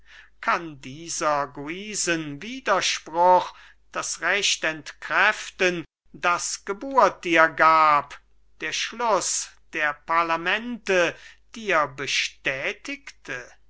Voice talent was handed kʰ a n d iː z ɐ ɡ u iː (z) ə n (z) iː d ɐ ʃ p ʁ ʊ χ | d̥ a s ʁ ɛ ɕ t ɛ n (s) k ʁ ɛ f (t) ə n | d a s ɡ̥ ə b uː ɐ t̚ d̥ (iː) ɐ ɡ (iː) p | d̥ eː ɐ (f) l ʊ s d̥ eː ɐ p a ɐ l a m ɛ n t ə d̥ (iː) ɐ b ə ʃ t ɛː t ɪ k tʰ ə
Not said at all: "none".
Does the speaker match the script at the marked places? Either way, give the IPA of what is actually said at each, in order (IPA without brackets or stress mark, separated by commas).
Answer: z, v, t, t, iː, aː, ʃ, iː